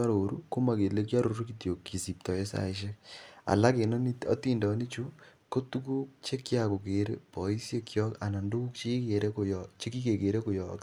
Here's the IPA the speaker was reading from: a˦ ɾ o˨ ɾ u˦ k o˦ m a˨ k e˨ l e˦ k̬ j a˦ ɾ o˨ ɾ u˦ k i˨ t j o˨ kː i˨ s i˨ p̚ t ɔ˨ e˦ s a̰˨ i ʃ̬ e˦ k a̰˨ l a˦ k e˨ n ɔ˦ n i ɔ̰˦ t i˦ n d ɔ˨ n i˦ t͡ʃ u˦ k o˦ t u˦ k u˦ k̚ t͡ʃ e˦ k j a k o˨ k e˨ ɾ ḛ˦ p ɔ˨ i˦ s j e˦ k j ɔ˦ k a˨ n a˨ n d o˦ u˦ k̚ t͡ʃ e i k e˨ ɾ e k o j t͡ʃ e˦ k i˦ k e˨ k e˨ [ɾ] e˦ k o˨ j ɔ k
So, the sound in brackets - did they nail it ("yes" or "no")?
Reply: yes